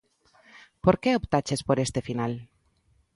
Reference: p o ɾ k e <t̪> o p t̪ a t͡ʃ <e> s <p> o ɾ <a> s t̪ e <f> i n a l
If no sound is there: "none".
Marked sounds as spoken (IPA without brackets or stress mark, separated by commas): none, e, p, e, f